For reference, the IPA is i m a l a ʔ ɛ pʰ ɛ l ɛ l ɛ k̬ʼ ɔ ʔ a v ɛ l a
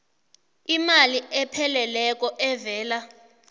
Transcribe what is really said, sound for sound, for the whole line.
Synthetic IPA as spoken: i m a l i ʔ ɛ pʰ ɛ l ɛ l ɛ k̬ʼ ɔ ʔ ɛ v ɛː l a